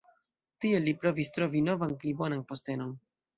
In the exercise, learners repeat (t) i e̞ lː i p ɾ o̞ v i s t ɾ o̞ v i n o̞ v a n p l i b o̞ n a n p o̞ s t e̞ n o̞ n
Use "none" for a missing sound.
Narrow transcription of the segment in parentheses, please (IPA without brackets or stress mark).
t